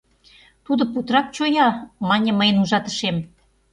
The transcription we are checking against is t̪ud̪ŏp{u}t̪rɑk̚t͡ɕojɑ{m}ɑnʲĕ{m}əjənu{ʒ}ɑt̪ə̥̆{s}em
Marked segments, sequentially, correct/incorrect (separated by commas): correct, correct, correct, correct, incorrect